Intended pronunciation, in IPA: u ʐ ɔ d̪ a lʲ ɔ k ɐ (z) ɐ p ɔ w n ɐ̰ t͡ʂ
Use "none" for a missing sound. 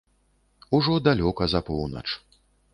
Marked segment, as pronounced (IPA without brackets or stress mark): z